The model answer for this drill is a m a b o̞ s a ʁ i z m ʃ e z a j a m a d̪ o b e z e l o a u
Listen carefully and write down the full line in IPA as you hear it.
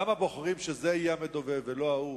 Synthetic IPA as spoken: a m a b o̞ χ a ʁ i m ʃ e z e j a m e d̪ o v e v e l o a u